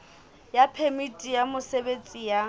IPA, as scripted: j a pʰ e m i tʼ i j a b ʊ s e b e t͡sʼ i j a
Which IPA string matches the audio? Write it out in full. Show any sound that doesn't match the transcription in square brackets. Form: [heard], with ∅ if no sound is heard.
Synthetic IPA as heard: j a pʰ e m i tʼ i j a [m] ʊ s e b e t͡sʼ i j a